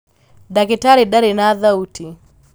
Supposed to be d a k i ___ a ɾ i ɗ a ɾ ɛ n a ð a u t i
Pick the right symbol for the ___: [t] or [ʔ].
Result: t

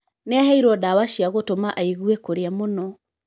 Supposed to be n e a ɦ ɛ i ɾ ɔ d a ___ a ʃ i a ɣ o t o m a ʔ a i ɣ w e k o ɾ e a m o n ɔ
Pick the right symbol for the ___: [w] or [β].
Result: w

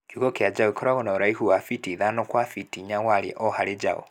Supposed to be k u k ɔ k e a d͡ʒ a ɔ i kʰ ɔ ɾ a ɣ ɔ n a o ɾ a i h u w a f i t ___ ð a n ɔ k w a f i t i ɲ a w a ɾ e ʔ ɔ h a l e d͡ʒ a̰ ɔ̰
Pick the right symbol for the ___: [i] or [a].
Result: i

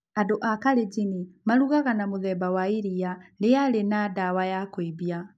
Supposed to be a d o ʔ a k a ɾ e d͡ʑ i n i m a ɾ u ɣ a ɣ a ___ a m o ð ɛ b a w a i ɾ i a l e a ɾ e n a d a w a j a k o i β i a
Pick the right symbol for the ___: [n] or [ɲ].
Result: n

